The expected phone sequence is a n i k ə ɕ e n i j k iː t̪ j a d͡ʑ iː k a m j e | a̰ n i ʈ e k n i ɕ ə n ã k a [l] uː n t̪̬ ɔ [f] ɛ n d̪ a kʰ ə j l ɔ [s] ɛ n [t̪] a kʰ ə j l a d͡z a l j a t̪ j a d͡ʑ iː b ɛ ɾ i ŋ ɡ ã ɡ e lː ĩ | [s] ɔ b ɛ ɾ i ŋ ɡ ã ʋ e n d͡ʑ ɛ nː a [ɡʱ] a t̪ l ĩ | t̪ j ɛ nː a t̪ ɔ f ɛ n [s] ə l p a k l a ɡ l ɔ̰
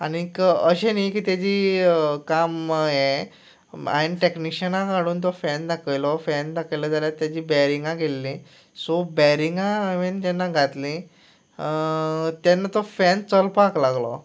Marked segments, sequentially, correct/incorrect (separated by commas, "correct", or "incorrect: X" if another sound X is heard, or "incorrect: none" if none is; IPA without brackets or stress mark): incorrect: ɽ, correct, incorrect: f, incorrect: d̪, correct, correct, incorrect: t͡s